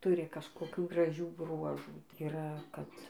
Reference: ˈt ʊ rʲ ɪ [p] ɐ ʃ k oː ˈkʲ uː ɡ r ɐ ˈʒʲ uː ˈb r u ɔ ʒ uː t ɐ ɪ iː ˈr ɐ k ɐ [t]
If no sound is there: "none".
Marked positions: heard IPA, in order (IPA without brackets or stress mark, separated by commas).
k, t